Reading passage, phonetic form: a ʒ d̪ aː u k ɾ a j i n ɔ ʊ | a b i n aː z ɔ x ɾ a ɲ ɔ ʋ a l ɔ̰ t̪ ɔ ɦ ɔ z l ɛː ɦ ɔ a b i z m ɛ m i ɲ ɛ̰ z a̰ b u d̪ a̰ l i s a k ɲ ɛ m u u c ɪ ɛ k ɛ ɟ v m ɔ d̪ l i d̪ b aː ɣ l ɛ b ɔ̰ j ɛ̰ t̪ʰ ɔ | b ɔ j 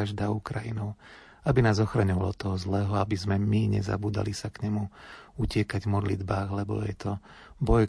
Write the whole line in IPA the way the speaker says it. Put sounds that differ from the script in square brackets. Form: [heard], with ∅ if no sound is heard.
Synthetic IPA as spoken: a ʒ d̪ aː u k ɾ a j i n ɔ ʊ | a b i n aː z ɔ x ɾ a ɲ ɔ ʋ a l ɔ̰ t̪ ɔ ɦ ɔ z l ɛː ɦ ɔ a b i z m ɛ m i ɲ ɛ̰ z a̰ b [uː] d̪ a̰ l i s a k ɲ ɛ m u u c ɪ ɛ k [a] ɟ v m ɔ d̪ l i d̪ b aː ɣ l ɛ b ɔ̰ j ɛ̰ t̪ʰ ɔ | b ɔ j